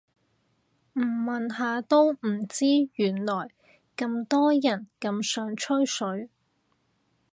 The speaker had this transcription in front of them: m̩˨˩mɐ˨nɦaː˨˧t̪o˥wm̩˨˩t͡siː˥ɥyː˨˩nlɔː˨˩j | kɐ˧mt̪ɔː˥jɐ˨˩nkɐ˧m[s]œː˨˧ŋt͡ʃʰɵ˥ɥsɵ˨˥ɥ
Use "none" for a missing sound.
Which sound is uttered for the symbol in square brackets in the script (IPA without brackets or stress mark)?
s